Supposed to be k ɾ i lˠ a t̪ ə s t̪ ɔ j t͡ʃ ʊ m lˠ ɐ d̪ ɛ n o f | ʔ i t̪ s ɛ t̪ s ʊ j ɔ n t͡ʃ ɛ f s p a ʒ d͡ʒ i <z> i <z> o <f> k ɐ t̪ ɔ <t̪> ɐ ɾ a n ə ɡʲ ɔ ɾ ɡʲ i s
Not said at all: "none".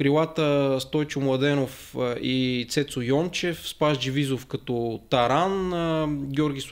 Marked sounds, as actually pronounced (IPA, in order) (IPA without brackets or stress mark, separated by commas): v, z, f, t̪